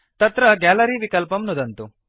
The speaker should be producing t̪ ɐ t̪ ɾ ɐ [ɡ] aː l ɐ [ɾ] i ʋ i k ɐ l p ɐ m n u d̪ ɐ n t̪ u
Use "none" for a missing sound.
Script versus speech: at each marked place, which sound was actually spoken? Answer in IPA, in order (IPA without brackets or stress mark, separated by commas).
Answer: ɡ, ɾ